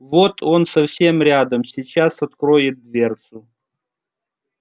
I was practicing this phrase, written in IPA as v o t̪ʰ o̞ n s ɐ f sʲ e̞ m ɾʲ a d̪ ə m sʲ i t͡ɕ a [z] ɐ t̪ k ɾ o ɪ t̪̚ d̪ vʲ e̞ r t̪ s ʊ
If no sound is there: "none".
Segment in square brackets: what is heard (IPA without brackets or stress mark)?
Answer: s